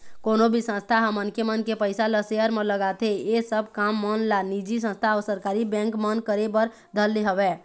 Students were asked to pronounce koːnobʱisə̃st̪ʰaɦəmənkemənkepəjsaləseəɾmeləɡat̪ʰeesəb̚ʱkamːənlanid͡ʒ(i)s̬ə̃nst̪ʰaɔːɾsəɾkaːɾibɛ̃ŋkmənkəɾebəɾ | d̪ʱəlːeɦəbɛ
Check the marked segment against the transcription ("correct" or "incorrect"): correct